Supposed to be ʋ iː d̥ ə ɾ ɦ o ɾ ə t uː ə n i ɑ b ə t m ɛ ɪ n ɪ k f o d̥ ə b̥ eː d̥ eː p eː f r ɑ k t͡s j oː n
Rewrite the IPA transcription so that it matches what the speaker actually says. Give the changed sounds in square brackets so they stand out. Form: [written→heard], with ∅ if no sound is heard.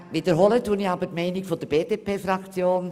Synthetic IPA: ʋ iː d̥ ə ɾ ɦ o [ɾ→l] ə t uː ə n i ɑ b ə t m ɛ ɪ n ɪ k f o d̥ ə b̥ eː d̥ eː p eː f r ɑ k t͡s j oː n